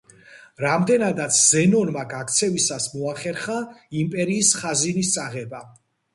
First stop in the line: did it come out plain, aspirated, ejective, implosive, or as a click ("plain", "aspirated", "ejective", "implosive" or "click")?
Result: plain